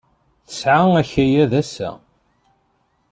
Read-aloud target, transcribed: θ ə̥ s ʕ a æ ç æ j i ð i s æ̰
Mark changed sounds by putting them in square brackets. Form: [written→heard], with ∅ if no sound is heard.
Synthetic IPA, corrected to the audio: θ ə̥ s ʕ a æ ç æ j [i→æ] ð [i→æ] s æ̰